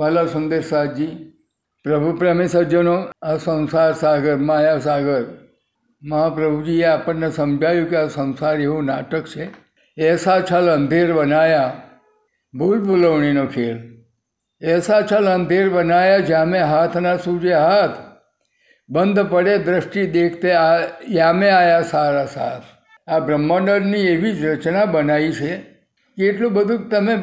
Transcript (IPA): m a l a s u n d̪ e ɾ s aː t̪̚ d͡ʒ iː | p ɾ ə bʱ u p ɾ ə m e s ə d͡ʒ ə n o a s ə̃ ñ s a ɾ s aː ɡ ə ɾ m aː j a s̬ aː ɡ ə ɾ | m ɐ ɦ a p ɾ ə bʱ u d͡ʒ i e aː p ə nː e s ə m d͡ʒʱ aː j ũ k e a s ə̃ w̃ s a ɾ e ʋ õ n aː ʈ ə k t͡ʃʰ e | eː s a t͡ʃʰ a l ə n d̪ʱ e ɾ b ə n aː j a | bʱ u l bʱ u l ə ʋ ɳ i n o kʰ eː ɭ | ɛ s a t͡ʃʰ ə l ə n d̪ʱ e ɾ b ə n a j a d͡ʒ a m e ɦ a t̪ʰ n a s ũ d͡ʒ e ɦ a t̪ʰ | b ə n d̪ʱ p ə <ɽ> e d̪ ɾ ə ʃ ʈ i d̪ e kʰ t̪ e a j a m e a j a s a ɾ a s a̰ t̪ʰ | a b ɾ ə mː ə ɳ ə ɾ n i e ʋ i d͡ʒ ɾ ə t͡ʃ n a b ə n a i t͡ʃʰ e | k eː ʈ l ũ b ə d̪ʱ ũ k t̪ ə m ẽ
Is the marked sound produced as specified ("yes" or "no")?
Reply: yes